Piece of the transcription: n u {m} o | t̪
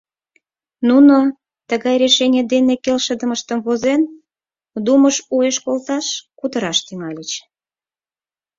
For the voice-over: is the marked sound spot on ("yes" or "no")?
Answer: no